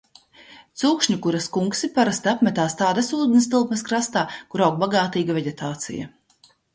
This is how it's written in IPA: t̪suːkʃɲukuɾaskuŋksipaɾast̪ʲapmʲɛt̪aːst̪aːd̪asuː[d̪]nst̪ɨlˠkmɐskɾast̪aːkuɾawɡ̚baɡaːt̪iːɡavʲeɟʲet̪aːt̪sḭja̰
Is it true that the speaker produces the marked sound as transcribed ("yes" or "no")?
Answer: yes